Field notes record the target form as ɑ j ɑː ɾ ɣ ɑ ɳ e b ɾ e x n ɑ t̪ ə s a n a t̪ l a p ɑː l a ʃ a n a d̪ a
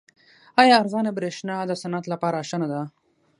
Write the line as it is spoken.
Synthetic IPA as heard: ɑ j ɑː ɾ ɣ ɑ n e b ɾ e ʃ n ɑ d̪ ə s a n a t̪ l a p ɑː ɾ a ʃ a n a d̪ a